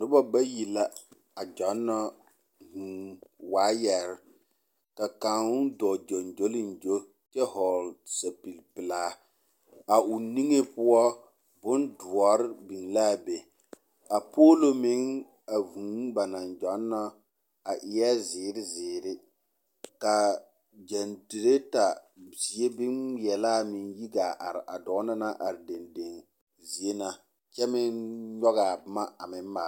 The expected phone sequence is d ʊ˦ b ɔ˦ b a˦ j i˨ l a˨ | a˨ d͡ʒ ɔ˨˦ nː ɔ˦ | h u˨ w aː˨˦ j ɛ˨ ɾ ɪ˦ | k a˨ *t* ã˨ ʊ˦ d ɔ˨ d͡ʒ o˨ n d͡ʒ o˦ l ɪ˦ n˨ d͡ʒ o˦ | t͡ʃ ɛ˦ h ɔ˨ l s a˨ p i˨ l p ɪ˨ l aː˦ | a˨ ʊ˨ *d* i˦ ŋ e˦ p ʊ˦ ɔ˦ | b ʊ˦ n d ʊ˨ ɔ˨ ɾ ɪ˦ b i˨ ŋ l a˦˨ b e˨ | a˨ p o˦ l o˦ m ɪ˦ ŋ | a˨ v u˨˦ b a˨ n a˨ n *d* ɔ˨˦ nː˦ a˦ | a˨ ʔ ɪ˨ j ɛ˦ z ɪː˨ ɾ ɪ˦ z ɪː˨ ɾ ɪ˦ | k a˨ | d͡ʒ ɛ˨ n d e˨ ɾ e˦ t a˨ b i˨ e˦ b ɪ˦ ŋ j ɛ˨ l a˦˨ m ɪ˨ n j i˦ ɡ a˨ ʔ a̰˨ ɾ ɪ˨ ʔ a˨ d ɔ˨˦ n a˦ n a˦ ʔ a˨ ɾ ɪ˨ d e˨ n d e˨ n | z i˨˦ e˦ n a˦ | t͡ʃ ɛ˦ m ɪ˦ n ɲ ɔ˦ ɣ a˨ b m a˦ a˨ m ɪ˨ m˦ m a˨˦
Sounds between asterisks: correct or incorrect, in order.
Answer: incorrect, incorrect, incorrect

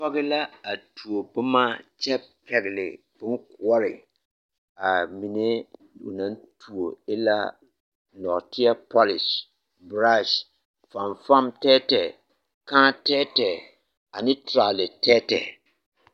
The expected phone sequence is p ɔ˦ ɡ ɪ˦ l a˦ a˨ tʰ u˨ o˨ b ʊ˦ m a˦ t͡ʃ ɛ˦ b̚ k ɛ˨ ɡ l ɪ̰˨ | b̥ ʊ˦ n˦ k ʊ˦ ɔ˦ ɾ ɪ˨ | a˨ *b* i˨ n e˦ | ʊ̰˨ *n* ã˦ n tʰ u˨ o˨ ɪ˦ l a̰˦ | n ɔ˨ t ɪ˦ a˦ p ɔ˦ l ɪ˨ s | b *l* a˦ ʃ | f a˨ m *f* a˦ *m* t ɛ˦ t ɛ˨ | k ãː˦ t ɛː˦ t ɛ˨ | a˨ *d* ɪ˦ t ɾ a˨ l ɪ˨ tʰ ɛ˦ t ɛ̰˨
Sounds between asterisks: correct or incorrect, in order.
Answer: incorrect, correct, incorrect, correct, correct, incorrect

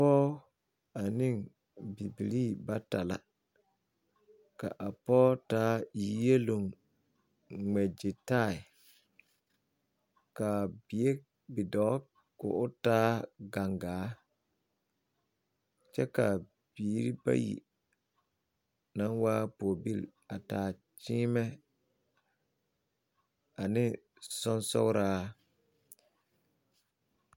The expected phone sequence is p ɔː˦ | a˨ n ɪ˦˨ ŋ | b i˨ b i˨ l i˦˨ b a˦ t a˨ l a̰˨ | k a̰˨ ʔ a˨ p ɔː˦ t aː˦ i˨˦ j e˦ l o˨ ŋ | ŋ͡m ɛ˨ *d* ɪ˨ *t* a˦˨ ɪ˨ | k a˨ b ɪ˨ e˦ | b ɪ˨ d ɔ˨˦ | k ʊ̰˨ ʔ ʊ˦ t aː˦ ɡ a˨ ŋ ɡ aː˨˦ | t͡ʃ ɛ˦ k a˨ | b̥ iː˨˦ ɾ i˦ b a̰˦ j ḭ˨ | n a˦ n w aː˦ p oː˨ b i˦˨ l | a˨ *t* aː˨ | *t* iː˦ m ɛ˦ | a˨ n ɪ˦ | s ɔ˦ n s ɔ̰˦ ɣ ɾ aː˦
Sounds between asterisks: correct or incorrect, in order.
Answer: incorrect, correct, correct, incorrect

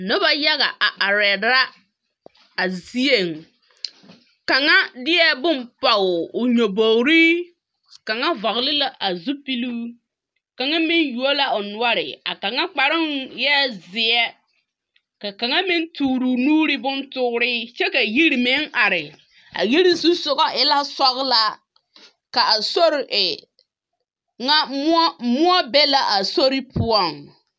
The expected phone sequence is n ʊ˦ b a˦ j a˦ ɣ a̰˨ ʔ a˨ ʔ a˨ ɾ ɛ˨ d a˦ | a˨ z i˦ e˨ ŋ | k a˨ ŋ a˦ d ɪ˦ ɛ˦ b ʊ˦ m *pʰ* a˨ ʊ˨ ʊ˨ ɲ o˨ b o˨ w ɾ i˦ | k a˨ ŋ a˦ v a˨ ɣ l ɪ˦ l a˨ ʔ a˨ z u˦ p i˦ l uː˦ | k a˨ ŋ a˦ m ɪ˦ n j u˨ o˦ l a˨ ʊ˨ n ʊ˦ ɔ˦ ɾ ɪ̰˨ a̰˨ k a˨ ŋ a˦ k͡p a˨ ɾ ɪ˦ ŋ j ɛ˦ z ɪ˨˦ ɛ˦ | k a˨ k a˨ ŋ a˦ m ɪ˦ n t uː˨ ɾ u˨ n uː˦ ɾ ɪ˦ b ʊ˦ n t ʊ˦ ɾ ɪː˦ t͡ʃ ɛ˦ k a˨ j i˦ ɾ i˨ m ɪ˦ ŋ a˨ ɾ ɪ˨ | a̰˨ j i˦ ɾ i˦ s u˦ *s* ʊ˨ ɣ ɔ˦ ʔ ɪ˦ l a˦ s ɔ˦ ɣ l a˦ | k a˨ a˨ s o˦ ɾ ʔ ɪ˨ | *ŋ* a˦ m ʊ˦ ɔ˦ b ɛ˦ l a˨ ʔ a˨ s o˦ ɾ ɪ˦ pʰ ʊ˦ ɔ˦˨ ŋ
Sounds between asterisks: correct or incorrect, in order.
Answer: incorrect, correct, correct

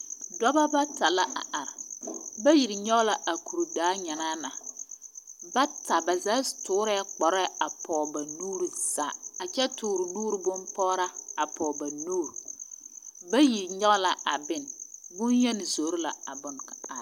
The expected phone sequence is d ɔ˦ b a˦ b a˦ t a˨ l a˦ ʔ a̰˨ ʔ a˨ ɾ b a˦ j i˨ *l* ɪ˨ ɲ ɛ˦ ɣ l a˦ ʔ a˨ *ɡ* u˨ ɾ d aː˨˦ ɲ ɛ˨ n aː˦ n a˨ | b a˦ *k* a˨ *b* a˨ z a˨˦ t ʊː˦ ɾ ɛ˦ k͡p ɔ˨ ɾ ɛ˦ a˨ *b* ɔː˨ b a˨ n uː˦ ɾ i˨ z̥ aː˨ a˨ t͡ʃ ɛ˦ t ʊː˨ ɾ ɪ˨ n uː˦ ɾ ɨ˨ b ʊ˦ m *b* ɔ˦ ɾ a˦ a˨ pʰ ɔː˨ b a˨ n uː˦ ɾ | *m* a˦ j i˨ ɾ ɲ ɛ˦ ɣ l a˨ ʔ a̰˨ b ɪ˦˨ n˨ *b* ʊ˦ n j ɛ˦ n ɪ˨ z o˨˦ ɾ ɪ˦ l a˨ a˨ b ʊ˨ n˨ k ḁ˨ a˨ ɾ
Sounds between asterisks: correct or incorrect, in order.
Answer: incorrect, incorrect, incorrect, correct, incorrect, incorrect, incorrect, correct

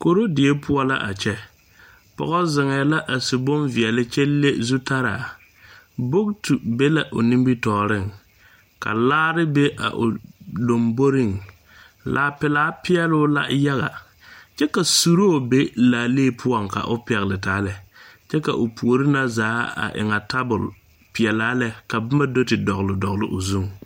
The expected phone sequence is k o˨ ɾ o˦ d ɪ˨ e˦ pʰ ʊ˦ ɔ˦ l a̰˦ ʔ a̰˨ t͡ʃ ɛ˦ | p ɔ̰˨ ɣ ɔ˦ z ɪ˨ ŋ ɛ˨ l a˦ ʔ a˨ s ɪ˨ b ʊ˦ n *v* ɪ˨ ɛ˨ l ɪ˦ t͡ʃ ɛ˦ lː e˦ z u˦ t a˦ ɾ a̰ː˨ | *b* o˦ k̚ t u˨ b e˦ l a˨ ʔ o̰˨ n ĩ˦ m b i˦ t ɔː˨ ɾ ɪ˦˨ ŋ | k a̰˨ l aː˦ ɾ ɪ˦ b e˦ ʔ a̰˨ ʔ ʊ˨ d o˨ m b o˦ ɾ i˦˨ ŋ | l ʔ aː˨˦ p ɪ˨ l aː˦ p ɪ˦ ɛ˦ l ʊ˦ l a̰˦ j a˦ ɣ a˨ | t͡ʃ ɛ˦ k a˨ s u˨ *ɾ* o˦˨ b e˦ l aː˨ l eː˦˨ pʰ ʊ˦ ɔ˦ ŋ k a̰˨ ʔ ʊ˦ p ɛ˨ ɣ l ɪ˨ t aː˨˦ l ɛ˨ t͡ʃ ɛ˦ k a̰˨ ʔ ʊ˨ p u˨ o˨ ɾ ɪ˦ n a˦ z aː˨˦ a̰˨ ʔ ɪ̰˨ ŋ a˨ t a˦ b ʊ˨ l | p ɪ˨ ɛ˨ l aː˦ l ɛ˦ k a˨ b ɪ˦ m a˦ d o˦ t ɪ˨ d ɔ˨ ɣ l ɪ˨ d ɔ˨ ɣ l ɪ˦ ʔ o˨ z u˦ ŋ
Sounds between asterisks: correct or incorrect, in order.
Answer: correct, correct, correct

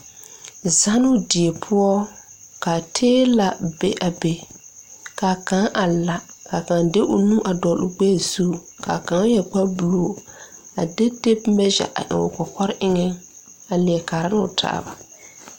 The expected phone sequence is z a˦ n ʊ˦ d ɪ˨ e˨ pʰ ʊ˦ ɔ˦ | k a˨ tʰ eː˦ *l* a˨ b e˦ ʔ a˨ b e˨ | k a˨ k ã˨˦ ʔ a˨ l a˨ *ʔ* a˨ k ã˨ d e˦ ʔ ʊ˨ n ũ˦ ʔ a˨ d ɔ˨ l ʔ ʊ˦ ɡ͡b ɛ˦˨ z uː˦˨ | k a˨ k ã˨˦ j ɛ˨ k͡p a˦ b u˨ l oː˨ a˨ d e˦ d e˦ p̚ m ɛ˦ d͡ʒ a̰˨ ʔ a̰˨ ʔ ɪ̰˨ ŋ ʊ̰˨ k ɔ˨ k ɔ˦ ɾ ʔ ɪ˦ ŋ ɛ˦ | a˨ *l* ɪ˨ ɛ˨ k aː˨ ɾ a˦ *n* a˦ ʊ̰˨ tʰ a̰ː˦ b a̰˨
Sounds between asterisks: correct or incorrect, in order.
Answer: correct, incorrect, correct, correct

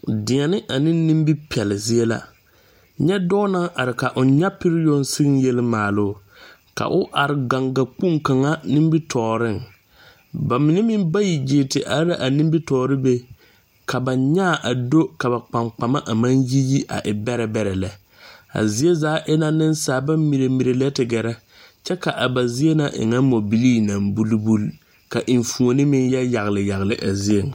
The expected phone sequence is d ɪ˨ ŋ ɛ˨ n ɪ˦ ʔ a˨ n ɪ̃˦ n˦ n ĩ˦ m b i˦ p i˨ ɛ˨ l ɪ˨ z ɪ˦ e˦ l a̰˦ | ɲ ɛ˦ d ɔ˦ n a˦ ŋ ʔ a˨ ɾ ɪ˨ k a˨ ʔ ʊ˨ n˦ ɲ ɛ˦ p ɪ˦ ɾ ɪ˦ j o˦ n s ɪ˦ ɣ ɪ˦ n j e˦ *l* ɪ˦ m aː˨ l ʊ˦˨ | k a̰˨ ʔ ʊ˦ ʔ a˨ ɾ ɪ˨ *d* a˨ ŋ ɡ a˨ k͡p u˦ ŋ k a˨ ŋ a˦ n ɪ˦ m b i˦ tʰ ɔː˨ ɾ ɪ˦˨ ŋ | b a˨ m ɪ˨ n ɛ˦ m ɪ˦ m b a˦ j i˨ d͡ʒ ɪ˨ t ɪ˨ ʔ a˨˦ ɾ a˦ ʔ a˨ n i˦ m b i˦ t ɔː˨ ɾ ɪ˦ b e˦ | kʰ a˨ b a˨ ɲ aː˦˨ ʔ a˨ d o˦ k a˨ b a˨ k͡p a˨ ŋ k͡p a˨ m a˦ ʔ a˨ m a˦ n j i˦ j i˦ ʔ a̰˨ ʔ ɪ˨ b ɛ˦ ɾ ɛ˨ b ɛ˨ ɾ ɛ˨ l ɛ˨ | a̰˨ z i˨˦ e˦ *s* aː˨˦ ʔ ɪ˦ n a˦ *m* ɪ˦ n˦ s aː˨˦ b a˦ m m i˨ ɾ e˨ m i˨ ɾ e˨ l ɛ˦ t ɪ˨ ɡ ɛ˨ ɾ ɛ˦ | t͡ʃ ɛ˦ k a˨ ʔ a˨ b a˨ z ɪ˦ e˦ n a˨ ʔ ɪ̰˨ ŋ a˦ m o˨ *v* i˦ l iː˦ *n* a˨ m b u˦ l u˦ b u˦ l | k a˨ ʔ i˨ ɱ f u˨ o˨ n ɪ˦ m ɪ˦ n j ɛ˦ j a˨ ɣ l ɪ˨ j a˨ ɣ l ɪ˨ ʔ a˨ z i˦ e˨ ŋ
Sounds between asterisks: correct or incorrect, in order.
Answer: correct, incorrect, incorrect, incorrect, incorrect, correct

